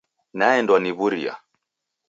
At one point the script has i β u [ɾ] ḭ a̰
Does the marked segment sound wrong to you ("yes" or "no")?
no